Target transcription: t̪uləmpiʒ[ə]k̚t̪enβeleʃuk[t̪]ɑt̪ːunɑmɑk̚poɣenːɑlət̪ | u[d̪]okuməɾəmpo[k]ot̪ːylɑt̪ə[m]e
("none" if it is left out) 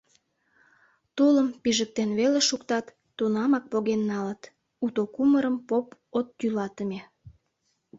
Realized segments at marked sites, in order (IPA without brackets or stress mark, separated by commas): ə, t̪, t̪, p, m